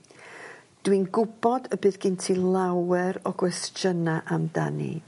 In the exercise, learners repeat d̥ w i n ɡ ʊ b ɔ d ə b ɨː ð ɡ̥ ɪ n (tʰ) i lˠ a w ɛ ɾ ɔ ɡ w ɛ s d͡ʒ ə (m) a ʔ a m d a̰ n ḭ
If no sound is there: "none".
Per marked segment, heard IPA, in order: tʰ, n

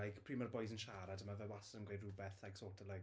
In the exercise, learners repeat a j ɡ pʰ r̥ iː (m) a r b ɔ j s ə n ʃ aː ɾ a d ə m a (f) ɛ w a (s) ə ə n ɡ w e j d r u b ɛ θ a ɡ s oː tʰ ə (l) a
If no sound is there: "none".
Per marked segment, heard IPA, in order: m, v, s, l

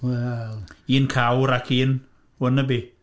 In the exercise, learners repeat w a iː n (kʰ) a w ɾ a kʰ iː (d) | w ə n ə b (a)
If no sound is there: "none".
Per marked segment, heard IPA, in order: kʰ, n, i

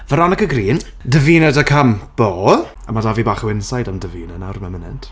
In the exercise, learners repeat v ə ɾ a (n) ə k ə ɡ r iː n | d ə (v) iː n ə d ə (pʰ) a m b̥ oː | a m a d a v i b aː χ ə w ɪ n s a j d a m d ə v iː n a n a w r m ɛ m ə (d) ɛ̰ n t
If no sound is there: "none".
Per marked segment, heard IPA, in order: n, v, kʰ, n

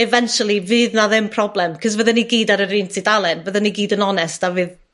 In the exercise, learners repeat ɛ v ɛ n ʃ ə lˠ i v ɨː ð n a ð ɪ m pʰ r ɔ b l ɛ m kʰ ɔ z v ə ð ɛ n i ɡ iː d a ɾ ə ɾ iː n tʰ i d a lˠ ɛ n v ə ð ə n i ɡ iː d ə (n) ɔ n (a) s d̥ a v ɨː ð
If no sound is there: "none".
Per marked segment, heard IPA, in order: n, ɛ

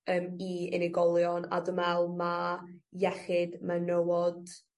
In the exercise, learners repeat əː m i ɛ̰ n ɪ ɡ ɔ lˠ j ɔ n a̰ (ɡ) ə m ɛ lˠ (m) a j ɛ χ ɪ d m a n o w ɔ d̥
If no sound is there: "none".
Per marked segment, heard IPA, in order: d, m

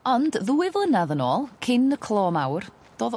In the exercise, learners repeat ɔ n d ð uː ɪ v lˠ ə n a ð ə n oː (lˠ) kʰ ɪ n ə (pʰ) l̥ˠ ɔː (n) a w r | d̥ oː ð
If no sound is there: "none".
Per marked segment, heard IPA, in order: lˠ, kʰ, m

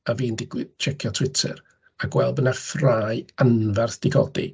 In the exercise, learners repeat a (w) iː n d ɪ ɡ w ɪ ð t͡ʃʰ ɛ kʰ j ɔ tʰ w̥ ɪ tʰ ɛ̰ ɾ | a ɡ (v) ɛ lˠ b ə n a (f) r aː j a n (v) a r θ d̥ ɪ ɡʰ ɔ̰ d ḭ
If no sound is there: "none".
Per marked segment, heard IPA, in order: v, w, f, v

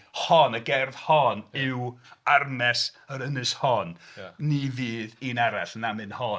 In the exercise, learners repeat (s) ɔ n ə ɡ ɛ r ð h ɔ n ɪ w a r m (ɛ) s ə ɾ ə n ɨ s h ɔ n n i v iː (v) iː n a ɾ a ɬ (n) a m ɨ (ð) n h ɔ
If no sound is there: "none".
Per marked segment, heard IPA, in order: h, ɛ, ð, n, none

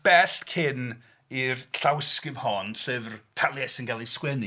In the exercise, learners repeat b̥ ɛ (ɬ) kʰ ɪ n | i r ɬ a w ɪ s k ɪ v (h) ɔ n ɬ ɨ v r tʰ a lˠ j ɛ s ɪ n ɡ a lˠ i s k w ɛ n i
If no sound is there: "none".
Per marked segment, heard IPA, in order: ɬ, h

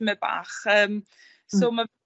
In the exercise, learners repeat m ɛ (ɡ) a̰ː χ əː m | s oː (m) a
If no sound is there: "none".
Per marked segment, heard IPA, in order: b, m

